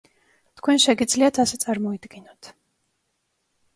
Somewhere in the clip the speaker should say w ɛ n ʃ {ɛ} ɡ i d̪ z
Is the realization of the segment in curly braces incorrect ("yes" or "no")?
no